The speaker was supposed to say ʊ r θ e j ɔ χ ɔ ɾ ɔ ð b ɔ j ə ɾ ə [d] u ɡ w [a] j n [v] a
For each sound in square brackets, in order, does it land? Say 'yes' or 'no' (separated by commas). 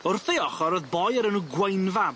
no, no, yes